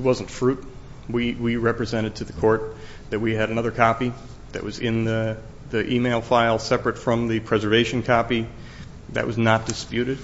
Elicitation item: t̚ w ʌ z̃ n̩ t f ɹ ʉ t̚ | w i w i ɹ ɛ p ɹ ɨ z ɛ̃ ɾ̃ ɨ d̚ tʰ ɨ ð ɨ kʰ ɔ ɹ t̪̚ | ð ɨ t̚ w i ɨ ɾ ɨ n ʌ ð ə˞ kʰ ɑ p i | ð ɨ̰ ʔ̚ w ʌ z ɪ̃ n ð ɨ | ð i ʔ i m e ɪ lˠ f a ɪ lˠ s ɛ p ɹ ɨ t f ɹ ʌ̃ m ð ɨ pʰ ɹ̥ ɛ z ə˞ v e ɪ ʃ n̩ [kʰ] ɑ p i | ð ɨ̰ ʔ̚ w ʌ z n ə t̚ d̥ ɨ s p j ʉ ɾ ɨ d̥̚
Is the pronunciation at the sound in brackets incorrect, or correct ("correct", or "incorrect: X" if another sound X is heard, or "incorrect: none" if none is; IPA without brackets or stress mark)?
correct